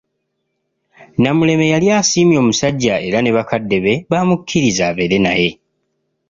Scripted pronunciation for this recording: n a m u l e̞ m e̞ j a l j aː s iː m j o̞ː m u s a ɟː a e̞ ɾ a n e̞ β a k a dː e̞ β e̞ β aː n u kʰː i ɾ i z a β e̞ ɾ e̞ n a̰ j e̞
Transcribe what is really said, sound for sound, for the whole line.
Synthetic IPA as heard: n a m u l e̞ m e̞ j a l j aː s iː m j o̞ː m u s a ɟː a e̞ ɾ a n e̞ β a k a dː e̞ β e̞ β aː m u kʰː i ɾ i z a β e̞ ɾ e̞ n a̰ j e̞